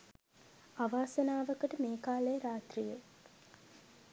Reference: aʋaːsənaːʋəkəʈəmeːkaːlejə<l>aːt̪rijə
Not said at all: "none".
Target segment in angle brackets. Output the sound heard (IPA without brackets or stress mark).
ɾ